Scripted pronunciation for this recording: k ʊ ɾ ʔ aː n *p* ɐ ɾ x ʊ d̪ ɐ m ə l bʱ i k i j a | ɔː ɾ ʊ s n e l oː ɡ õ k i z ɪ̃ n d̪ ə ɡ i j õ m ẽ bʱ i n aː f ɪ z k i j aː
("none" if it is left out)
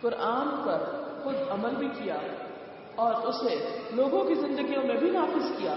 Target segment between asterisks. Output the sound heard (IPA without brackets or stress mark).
p